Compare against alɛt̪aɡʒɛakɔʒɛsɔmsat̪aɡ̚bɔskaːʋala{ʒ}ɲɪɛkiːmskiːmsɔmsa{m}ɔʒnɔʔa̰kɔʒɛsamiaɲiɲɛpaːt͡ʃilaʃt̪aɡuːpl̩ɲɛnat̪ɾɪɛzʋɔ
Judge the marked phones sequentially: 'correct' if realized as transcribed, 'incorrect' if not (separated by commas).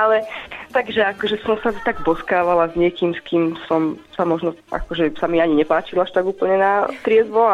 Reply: incorrect, correct